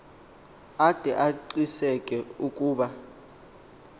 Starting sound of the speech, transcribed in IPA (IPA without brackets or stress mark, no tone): a